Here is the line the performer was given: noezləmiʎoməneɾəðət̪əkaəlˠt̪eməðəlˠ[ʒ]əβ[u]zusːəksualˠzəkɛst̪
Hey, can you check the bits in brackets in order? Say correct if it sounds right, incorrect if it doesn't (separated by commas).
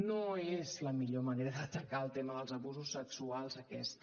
incorrect, correct